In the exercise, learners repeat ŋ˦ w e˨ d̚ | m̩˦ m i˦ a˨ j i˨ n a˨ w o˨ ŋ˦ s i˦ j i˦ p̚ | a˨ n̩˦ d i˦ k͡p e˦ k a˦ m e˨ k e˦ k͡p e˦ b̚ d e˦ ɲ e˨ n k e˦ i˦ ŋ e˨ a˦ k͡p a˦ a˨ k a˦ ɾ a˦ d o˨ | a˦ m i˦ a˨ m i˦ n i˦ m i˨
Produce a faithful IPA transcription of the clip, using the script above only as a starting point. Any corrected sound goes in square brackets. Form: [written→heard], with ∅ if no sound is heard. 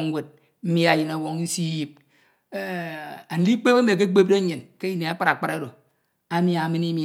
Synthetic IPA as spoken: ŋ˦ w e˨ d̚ | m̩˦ m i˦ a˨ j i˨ n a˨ w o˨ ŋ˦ s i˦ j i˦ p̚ | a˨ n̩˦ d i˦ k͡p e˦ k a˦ m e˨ k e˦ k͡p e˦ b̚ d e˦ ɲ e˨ n k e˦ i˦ [ŋ→n] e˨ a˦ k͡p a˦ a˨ [k→k͡p] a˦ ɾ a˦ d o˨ | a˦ m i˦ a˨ m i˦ n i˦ m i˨

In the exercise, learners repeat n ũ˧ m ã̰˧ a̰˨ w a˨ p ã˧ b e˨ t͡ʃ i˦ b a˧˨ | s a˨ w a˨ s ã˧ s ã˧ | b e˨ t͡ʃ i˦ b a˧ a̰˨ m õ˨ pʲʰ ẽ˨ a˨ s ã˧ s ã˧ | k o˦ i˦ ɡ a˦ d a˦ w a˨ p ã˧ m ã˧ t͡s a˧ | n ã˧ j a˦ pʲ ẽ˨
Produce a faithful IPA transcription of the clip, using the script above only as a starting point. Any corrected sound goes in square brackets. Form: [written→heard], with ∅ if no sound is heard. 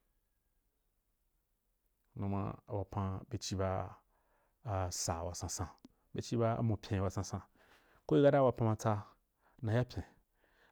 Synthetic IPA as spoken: n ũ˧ m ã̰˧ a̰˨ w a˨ p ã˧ b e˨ t͡ʃ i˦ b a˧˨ | s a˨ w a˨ s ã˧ s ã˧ | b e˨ t͡ʃ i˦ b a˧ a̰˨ m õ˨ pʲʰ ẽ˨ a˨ s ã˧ s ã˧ | k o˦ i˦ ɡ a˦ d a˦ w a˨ p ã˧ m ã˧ t͡s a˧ | n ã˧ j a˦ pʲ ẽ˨

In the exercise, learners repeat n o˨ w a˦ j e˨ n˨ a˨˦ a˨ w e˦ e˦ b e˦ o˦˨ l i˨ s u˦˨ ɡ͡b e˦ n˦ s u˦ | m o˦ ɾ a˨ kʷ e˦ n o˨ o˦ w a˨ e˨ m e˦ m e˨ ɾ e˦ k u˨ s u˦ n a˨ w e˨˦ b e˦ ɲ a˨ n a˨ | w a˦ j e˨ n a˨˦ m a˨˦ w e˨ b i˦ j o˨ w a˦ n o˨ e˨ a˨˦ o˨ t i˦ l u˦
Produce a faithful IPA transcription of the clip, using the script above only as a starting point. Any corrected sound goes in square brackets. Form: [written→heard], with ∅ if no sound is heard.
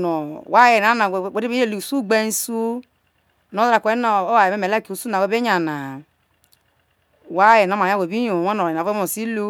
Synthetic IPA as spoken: n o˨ w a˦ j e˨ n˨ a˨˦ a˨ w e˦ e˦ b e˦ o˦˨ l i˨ s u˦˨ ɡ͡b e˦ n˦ s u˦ | [m→n] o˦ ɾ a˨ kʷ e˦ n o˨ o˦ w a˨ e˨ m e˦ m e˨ [ɾ→l] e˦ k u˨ s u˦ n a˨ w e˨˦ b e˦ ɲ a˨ n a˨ | w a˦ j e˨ n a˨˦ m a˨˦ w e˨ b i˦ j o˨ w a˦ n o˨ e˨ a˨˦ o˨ [t→s] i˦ l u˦

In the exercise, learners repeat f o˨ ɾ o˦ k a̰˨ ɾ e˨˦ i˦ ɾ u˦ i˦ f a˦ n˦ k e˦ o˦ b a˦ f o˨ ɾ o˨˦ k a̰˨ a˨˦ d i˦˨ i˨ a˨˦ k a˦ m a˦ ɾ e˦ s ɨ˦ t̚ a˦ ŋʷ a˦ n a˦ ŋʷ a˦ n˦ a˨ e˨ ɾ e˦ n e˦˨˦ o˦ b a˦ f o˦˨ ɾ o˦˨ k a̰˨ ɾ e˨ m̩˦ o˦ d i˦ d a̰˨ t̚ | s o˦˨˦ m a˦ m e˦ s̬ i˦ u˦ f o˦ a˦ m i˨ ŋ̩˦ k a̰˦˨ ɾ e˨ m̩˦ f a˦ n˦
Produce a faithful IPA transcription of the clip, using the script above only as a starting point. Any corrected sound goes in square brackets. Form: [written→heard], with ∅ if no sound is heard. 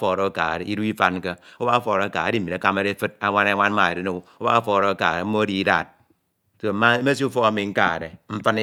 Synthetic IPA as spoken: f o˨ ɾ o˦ k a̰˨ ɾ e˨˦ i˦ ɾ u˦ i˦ f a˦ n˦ k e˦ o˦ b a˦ f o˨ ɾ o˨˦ k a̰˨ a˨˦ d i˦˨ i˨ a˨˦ k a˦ m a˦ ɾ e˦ [s→f] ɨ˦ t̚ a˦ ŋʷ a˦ n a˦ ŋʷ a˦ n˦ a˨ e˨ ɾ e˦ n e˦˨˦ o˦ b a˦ f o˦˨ ɾ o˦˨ k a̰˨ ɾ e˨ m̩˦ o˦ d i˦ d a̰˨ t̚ | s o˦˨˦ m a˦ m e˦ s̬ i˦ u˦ f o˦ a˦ m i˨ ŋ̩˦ k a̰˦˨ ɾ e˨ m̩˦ f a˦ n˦

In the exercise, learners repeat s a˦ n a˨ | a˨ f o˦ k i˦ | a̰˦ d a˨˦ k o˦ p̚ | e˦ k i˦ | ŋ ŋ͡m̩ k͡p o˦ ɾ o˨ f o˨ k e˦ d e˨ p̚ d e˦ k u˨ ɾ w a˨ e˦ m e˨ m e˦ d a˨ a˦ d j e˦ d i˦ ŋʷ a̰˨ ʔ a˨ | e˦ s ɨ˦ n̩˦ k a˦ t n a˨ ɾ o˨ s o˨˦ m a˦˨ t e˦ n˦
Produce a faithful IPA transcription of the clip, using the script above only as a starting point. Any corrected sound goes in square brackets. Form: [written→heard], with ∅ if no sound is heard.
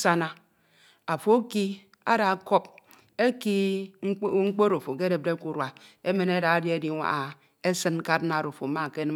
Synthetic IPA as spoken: s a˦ n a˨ | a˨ f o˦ k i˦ | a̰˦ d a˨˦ k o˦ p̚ | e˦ k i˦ | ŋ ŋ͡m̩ k͡p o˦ ɾ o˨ f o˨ k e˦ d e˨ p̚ d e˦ k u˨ ɾ w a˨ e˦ m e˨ [m→n] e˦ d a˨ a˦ d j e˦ d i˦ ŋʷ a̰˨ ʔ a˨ | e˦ s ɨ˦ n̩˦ k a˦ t n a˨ ɾ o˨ [s→f] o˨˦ m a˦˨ [t→k] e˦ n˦

